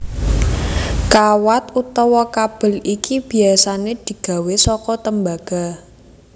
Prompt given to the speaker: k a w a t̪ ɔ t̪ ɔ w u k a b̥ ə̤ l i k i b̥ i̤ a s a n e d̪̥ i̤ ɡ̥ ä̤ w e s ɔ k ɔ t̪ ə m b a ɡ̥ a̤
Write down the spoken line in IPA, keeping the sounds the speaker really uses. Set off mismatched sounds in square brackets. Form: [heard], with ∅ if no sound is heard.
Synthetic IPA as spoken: k a w a t̪ [u] t̪ ɔ w [ɔ] k a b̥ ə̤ l i k i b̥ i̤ a s a n e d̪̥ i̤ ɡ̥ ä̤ w e s ɔ k ɔ t̪ ə m b a ɡ̥ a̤